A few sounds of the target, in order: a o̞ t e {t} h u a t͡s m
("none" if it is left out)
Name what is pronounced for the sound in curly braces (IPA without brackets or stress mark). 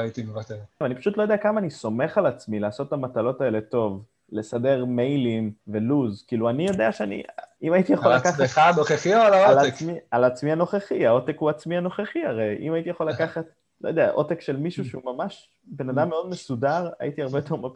k